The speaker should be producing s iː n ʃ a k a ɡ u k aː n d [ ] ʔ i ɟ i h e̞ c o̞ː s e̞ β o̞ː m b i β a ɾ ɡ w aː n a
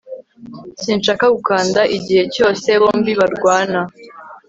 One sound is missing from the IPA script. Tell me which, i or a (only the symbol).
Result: a